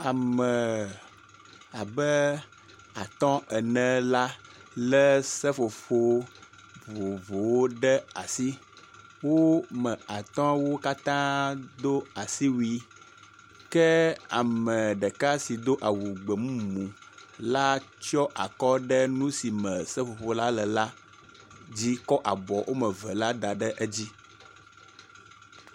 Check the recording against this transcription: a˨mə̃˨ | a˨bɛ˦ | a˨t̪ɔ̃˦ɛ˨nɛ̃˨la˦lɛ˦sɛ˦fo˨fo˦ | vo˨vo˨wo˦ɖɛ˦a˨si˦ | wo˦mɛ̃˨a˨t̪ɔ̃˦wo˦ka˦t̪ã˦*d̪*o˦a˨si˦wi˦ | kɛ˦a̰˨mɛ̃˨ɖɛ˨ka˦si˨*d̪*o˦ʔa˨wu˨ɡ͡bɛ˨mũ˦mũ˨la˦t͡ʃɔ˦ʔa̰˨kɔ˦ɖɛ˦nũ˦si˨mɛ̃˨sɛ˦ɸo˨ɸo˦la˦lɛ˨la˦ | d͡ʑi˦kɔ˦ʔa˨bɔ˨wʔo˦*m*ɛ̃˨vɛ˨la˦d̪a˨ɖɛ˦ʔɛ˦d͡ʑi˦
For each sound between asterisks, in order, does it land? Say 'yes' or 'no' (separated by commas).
yes, yes, yes